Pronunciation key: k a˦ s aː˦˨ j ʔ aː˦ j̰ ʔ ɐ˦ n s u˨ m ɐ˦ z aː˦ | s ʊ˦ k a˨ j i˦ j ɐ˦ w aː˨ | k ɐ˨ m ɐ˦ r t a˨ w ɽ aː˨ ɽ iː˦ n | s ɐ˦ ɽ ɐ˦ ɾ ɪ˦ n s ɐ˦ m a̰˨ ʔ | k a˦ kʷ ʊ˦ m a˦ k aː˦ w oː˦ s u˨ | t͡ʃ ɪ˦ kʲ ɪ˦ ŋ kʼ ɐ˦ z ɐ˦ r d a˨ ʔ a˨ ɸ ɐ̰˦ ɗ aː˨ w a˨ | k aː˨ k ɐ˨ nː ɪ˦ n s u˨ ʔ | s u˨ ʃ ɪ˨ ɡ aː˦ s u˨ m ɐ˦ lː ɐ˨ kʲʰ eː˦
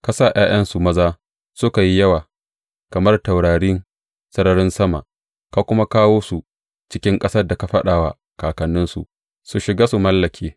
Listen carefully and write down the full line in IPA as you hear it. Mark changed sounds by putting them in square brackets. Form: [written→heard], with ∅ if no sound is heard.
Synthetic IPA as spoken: k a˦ s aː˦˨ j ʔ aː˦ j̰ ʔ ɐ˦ n s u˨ m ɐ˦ z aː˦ | s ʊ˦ k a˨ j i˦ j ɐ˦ w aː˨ | k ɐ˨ m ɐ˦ r t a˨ w ɽ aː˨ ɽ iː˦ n | s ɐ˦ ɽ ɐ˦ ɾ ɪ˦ n s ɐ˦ m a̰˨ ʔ | k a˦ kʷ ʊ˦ m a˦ k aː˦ w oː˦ s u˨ | t͡ʃ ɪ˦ kʲ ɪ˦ ŋ kʼ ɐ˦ [z→s] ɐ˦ r d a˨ [ʔ→k] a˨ ɸ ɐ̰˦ ɗ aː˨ w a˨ | k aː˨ k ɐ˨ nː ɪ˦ n s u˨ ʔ | s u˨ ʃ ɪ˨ ɡ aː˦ s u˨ m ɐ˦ lː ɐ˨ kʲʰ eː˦